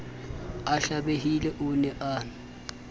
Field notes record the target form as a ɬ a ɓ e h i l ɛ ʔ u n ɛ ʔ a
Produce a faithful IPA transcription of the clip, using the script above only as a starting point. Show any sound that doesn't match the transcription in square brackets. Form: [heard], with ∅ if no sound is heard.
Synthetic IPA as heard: a ɬ a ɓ e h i l ɛ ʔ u n ɛ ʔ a